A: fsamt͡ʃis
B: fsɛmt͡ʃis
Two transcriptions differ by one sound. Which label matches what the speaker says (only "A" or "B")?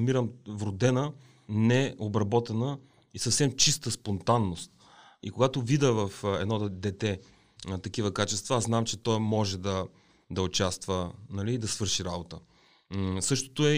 B